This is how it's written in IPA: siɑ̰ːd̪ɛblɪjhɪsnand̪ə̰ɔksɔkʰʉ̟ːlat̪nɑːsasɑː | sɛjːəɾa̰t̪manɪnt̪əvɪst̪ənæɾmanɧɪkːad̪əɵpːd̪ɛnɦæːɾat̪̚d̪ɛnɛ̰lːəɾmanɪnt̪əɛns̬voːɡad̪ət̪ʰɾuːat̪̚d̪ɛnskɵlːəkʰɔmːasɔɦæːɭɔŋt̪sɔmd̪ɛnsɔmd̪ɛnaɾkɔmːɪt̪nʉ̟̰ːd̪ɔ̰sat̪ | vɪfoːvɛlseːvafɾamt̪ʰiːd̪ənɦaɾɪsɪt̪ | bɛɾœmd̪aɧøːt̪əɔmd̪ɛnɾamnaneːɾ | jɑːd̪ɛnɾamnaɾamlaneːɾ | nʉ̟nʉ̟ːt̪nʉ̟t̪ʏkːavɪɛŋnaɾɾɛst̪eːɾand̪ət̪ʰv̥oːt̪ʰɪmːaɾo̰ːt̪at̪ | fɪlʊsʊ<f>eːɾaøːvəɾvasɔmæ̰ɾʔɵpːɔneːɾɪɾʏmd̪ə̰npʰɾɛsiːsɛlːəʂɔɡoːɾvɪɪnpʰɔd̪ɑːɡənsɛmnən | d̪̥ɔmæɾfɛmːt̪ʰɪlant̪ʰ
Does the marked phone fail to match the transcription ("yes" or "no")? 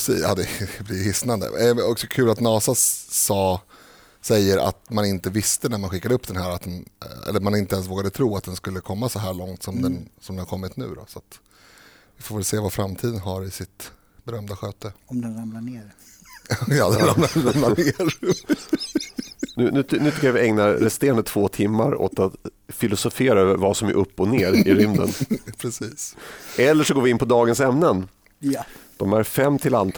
no